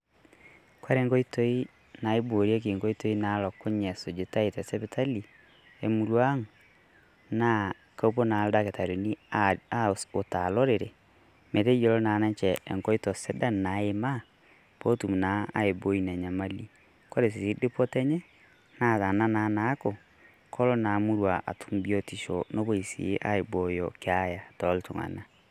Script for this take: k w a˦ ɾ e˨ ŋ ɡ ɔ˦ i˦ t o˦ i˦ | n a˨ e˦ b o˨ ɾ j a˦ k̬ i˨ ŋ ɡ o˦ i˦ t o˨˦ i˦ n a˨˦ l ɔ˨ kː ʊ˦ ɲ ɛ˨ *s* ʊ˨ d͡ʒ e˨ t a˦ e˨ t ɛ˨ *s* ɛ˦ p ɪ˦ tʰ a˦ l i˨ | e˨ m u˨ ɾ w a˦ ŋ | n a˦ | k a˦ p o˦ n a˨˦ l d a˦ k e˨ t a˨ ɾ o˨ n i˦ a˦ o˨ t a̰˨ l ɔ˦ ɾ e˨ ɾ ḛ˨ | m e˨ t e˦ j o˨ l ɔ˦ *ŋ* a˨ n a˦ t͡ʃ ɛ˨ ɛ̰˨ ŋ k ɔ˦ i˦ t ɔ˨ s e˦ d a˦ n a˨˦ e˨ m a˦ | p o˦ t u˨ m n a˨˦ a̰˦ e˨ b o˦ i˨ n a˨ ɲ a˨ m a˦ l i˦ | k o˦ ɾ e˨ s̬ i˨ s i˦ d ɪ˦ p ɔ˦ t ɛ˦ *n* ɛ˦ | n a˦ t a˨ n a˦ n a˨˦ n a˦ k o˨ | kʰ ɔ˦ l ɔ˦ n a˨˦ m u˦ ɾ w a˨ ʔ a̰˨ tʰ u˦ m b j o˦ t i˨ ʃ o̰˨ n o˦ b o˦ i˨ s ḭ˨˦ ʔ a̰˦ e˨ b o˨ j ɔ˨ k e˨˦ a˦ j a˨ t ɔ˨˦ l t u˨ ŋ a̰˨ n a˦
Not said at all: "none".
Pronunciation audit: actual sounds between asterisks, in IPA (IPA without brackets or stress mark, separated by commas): s, s, n, ɲ